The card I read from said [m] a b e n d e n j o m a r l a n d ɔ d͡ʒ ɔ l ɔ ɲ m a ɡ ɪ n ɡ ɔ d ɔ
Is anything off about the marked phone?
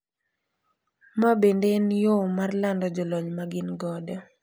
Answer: no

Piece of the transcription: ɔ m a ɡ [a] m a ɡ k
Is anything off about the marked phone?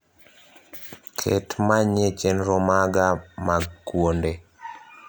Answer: no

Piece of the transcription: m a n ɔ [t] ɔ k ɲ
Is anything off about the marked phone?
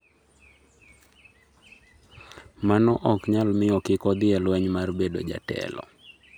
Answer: yes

